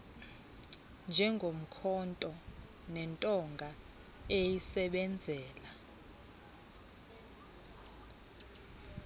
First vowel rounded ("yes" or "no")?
no